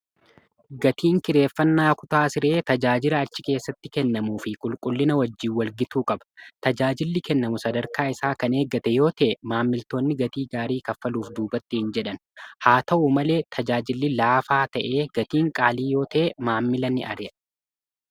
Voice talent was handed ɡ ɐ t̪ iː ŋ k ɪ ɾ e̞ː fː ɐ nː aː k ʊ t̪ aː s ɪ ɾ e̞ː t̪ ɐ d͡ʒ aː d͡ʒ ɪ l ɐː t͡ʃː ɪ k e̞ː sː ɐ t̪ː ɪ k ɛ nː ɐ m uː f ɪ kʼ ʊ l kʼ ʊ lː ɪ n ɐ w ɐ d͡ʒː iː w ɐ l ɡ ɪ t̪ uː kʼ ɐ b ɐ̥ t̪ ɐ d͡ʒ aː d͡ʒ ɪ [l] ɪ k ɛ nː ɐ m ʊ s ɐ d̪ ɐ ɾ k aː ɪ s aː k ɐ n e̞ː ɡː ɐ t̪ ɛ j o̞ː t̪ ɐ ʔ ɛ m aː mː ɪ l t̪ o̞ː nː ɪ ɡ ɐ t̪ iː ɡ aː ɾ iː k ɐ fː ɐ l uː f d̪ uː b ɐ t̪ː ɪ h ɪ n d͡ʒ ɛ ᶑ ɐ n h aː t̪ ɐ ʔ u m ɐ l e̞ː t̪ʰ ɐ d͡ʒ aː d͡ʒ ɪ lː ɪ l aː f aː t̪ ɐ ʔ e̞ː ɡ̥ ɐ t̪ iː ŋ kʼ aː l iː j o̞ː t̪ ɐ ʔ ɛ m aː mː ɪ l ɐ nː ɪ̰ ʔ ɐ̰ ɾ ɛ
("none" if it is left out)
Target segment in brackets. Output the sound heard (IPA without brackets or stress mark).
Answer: lː